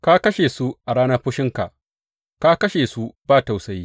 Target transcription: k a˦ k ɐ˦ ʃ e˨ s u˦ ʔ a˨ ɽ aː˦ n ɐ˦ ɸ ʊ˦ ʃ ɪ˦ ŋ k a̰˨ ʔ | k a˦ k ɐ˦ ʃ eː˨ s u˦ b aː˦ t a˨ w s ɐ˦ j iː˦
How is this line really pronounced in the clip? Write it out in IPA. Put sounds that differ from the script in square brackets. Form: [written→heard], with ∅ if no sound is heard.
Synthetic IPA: k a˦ k ɐ˦ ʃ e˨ s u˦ ʔ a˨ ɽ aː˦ n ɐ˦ ɸ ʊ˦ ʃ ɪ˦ ŋ k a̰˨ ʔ | k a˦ k ɐ˦ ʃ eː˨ s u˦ b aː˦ t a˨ w s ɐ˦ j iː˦